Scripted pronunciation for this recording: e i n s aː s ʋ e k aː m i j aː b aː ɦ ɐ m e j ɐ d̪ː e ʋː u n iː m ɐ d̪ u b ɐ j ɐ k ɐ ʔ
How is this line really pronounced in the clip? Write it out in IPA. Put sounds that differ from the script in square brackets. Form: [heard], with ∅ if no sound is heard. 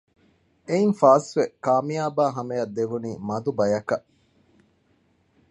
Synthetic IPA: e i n [f] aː s ʋ e k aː m i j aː b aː ɦ ɐ m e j ɐ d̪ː e [ʋ] u n iː m ɐ d̪ u b ɐ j ɐ k ɐ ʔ